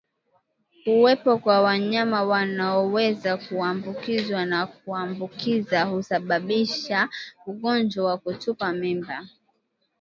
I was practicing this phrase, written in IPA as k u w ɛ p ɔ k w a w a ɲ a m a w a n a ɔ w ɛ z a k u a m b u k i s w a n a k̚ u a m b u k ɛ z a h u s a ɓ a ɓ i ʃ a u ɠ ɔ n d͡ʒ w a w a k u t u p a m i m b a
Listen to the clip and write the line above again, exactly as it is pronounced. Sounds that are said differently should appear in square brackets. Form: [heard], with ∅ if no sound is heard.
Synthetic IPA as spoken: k u w ɛ p ɔ k w a w a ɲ a m a w a n a ɔ w ɛ z a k u a m b u k i [z] w a n a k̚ u a m b u k [i] z a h u s a ɓ a ɓ i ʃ a u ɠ ɔ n d͡ʒ w a w a k u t u p a m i m b a